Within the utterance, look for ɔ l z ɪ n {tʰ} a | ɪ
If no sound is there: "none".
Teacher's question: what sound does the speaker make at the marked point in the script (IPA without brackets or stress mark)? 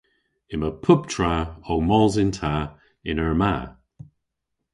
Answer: tʰ